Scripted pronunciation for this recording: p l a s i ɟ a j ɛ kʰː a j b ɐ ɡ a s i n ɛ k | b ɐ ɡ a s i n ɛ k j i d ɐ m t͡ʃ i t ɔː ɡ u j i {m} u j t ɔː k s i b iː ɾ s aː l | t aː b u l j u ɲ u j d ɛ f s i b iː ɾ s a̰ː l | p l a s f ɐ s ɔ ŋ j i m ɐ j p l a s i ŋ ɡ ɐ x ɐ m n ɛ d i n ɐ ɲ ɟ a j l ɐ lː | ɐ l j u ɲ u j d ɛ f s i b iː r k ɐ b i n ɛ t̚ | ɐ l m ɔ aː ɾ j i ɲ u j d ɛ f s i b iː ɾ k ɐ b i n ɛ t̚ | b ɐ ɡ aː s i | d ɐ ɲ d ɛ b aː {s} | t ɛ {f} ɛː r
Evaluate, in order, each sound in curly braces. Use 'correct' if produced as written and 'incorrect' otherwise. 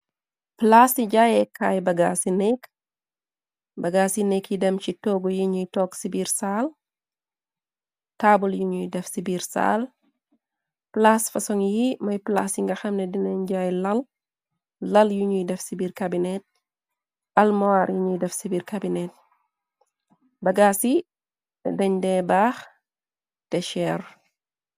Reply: incorrect: ɲ, incorrect: x, incorrect: ʃ

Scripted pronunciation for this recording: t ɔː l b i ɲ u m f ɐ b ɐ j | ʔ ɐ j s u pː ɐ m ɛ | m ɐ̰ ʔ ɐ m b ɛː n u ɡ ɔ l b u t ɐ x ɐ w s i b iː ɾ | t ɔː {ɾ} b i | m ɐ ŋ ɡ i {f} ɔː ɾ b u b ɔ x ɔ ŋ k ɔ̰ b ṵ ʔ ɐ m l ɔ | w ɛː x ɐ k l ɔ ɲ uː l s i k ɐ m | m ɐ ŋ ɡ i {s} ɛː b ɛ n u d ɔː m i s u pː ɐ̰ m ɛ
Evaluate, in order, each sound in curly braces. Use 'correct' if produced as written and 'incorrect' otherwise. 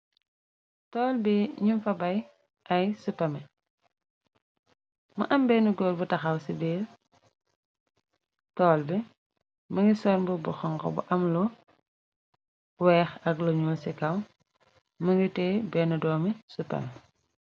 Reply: incorrect: l, incorrect: s, incorrect: t

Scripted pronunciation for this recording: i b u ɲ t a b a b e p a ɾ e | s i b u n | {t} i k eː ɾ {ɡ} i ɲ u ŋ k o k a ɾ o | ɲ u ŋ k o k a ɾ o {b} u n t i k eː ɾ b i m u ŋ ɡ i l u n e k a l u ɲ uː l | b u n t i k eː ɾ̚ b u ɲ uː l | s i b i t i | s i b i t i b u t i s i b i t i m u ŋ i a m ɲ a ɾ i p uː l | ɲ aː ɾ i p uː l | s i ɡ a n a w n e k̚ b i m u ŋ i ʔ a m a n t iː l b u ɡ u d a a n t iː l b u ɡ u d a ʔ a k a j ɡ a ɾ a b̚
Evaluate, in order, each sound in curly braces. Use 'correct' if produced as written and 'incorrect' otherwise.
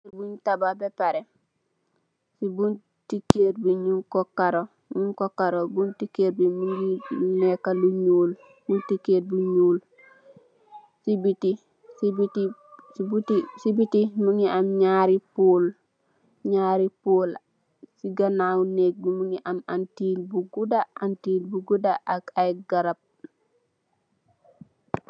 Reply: correct, incorrect: b, correct

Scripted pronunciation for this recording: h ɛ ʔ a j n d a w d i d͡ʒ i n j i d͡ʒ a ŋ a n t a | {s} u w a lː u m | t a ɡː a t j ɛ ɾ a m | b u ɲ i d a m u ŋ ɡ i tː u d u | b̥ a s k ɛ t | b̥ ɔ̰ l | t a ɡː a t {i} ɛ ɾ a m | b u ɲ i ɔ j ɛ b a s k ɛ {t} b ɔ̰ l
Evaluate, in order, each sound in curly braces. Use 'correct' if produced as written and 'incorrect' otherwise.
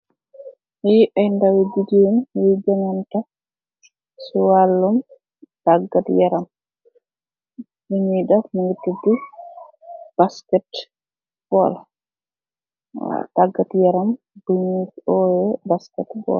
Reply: correct, incorrect: j, correct

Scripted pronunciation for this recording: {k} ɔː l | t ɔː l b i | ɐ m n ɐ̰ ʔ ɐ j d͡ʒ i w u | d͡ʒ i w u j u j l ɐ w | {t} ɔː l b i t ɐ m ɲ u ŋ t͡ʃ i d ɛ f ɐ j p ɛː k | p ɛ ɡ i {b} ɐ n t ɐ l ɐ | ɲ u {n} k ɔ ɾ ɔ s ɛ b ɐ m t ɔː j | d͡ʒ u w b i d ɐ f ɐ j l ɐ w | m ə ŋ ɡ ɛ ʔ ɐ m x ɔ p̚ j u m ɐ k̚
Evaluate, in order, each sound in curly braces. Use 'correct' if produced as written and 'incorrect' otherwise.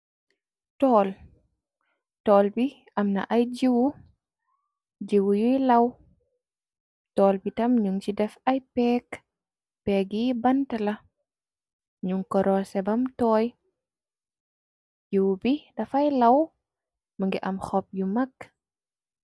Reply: incorrect: t, correct, correct, incorrect: ŋ

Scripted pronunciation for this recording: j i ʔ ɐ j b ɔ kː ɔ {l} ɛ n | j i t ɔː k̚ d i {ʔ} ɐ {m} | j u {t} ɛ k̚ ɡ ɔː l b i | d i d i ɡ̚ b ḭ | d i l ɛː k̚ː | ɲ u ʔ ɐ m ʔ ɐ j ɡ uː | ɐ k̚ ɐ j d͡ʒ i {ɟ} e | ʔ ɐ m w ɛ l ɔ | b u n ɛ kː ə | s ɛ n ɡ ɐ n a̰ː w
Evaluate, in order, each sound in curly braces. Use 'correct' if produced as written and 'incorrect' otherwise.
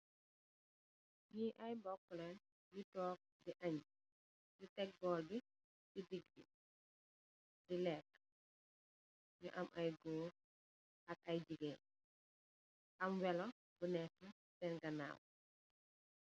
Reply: correct, correct, incorrect: ɲ, correct, incorrect: ɡ

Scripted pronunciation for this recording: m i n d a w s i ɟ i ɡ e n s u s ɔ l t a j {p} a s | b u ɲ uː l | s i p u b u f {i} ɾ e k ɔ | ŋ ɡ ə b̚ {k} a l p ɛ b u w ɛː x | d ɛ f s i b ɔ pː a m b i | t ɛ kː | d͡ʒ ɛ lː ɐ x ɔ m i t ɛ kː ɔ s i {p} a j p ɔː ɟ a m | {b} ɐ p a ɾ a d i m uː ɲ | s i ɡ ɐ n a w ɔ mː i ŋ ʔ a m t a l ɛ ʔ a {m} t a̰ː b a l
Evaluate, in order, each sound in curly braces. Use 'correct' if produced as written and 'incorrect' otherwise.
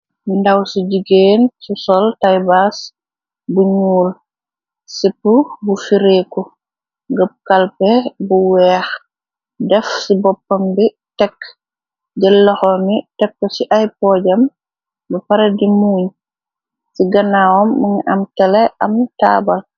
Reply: incorrect: b, correct, correct, incorrect: ʔ, correct, correct

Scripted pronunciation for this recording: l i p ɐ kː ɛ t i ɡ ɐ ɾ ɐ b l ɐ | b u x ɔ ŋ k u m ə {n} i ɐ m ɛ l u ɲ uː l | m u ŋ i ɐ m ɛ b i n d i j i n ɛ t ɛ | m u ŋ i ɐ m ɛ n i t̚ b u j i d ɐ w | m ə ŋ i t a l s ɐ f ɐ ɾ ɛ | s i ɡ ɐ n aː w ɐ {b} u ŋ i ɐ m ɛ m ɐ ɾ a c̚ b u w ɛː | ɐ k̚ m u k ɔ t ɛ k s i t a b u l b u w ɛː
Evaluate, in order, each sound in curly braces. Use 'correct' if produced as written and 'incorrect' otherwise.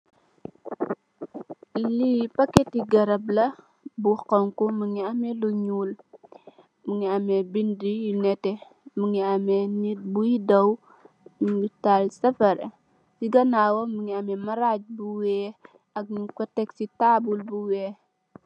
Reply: incorrect: ŋ, incorrect: m

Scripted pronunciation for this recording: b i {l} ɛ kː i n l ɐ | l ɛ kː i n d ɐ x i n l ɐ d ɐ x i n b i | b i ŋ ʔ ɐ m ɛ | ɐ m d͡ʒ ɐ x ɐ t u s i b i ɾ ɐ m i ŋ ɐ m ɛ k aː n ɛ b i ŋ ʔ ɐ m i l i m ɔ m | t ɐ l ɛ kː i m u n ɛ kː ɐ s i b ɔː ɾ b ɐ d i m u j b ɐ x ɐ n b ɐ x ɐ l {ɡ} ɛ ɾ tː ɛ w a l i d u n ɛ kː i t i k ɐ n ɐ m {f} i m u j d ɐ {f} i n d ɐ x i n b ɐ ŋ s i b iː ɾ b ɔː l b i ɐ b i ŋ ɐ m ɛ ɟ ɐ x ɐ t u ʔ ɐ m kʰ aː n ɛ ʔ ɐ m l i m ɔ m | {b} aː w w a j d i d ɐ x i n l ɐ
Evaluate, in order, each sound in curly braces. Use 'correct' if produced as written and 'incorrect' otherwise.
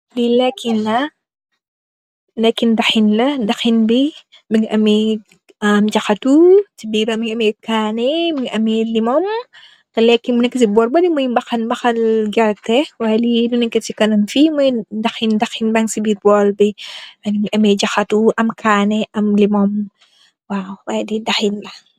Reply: correct, correct, correct, incorrect: x, incorrect: w

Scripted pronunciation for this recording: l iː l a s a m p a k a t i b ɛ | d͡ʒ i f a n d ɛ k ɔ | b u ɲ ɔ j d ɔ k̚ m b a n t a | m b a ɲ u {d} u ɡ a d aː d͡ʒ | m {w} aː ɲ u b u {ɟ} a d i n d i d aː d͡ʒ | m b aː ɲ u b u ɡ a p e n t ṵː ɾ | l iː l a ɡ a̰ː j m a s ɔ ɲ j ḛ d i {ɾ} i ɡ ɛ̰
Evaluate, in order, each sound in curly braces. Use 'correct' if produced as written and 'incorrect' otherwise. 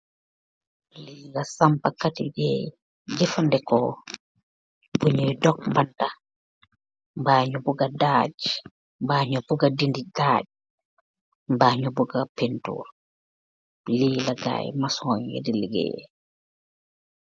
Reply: incorrect: b, incorrect: b, incorrect: ɡ, incorrect: l

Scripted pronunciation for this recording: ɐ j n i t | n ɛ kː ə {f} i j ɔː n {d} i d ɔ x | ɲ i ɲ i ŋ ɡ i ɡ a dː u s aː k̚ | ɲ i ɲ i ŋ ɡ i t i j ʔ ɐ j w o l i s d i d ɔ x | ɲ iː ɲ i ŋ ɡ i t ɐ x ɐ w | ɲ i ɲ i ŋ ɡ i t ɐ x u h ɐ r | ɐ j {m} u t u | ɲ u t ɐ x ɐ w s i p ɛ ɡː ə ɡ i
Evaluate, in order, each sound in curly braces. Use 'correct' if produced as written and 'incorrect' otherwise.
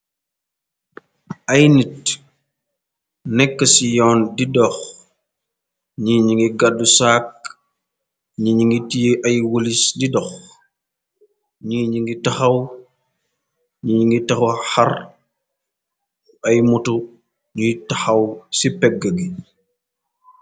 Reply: incorrect: s, correct, correct

